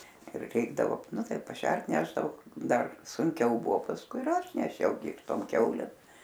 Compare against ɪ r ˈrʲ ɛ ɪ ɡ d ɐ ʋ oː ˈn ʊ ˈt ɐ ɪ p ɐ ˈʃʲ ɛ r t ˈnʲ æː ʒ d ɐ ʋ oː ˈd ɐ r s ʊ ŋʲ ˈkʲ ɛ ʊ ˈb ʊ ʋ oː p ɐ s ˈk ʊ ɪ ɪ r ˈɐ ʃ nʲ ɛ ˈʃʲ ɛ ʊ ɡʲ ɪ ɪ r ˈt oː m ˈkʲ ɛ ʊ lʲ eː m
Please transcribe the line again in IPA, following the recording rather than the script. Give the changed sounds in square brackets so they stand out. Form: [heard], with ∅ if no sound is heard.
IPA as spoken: ɪ r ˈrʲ ɛ ɪ ɡ d ɐ ʋ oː ˈn ʊ ˈt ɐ ɪ p ɐ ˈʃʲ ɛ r t ˈnʲ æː ʒ d ɐ ʋ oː ˈd ɐ r s ʊ ŋʲ ˈkʲ ɛ ʊ ˈb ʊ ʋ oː p ɐ s ˈk ʊ ɪ ɪ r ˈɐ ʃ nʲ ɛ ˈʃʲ ɛ ʊ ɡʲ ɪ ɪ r ˈt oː m ˈkʲ ɛ ʊ lʲ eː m